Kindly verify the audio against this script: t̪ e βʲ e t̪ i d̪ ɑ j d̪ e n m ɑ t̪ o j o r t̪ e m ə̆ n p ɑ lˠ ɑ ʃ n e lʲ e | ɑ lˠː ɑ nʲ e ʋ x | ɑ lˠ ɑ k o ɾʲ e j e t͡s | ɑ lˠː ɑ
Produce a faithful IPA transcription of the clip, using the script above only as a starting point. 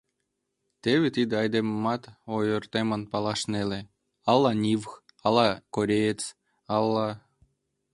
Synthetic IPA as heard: t̪ e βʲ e t̪ i d̪ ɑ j d̪ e m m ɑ t̪ o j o r t̪ e m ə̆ n p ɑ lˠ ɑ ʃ n e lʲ e | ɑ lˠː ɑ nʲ i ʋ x | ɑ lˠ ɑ k o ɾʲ e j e t͡s | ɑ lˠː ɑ